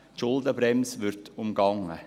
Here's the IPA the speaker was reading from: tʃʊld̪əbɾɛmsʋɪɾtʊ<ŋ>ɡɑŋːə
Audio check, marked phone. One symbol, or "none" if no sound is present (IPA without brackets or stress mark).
m